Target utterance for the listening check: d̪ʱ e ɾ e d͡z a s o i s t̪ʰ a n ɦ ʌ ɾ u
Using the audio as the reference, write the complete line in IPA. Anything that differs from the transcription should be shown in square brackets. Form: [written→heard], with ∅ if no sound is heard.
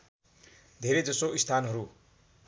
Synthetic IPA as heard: d̪ʱ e ɾ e d͡z [a→ʌ] s o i s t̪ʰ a n ɦ ʌ ɾ u